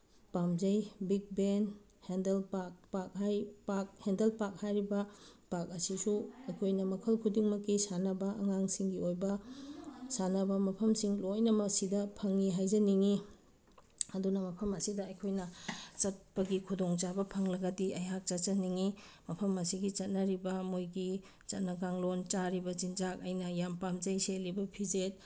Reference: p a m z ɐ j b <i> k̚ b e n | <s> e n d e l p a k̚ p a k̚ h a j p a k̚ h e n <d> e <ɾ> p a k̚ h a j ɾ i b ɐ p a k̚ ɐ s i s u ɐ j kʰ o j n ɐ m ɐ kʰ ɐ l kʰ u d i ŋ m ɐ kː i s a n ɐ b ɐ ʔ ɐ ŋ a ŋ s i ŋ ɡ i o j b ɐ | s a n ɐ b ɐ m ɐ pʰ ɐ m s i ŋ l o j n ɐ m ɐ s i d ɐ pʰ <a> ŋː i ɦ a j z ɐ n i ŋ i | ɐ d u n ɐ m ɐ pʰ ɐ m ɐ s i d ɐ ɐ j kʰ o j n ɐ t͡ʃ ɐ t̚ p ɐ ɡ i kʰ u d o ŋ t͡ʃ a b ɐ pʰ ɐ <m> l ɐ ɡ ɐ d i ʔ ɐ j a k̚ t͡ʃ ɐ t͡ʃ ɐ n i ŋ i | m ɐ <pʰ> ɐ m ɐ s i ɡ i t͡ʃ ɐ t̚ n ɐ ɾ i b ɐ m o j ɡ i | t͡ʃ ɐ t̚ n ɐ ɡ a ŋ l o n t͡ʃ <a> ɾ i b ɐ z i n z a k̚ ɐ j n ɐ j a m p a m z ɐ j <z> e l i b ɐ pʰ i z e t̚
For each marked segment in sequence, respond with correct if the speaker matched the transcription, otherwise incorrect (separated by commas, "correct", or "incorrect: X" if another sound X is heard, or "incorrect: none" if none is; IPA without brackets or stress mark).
correct, incorrect: h, correct, incorrect: l, incorrect: ɐ, incorrect: ŋ, correct, correct, incorrect: s